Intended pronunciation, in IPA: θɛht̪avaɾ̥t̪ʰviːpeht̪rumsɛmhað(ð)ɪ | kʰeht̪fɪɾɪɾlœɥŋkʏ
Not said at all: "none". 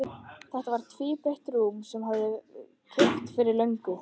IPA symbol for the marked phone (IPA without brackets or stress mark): ð